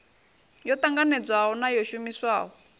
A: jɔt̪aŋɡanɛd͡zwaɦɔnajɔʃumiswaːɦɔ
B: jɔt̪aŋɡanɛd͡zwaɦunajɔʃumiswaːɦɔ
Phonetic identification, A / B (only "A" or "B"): A